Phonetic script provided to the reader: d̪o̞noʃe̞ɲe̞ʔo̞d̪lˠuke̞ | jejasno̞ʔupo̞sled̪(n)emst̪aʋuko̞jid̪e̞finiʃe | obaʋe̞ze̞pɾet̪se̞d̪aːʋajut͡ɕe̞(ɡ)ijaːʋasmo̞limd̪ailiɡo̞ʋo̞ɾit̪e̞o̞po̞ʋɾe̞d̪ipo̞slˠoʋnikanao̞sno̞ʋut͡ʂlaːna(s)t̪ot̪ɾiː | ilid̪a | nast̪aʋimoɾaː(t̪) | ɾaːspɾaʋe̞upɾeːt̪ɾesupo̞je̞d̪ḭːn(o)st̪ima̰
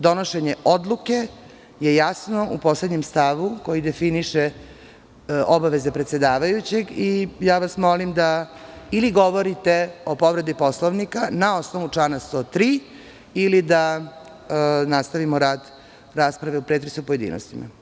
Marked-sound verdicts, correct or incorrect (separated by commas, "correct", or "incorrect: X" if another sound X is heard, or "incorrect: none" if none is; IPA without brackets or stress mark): incorrect: ɲ, correct, correct, incorrect: d̪, correct